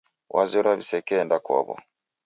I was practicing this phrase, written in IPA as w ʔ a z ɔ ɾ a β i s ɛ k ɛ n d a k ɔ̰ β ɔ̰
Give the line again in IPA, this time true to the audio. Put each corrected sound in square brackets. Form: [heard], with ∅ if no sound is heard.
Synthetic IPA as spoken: w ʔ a z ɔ ɾ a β i s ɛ k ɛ n d a k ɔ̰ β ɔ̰

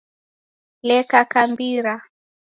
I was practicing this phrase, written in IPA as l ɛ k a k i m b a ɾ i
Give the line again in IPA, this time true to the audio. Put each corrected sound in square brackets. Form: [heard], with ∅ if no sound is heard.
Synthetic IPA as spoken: l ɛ k a k [a] m b [i] ɾ [a]

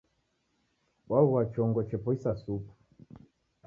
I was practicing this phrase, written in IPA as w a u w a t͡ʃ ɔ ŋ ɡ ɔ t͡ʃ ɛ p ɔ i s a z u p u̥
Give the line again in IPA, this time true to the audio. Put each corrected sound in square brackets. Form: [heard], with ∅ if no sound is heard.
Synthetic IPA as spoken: w a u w a t͡ʃ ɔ ŋ ɡ ɔ t͡ʃ ɛ p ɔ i s a [s] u p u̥

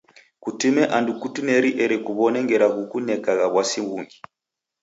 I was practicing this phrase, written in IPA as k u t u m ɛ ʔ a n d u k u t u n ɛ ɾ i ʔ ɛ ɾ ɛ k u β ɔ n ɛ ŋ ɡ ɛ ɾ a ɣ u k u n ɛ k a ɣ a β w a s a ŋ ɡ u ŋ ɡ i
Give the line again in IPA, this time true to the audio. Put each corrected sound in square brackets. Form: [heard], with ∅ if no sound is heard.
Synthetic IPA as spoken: k u t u m ɛ ʔ a n d u k u t u n ɛ ɾ i ʔ ɛ ɾ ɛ k u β ɔ n ɛ ŋ ɡ ɛ ɾ a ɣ u k u n ɛ k a ɣ a β w a s [i] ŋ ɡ u ŋ ɡ i

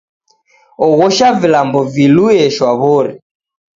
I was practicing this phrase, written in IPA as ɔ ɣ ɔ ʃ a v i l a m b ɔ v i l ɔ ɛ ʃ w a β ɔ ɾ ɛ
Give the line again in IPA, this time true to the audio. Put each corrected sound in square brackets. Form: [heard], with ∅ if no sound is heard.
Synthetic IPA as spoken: ɔ ɣ ɔ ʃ a v i l a m b ɔ v i l [u] ɛ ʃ w a β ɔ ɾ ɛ

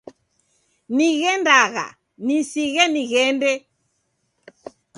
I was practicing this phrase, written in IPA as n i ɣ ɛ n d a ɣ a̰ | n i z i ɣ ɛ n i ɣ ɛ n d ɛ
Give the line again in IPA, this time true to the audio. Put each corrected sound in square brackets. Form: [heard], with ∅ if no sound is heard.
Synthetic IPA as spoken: n i ɣ ɛ n d a ɣ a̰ | n i [s] i ɣ ɛ n i ɣ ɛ n d ɛ

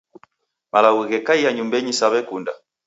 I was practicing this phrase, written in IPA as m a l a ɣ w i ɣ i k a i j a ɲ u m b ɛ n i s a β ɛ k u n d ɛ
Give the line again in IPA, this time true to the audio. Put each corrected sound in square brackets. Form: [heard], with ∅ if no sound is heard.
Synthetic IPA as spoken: m a l a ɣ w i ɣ [ɛ] k a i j a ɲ u m b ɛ [ɲ] i s a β ɛ k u n d [a]

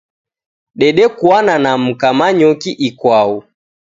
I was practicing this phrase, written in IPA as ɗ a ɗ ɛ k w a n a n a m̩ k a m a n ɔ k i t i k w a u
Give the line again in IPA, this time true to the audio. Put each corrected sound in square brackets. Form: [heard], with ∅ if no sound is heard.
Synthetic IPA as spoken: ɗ [ɛ] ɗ ɛ k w a n a n a m̩ k a m a [ɲ] ɔ k i [ʔ] i k w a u

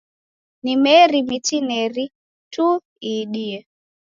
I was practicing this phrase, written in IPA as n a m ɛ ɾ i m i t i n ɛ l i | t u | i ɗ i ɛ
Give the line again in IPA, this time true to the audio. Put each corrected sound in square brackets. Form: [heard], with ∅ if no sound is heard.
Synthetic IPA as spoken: n [i] m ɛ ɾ i m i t i n ɛ [ɾ] i | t u | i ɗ i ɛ

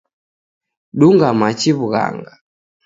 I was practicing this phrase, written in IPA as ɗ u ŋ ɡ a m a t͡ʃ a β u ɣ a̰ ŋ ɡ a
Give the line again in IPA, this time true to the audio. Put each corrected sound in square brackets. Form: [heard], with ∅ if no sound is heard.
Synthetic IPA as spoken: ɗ u ŋ ɡ a m a t͡ʃ [i] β u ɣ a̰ ŋ ɡ a

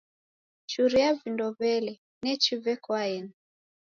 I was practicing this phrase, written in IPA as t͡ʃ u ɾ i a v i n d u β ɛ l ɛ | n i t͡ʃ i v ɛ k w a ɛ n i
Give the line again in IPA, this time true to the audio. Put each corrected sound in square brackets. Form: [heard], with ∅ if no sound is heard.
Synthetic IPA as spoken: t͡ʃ u ɾ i a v i n d [ɔ] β ɛ l ɛ | n [ɛ] t͡ʃ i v ɛ k w a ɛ n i

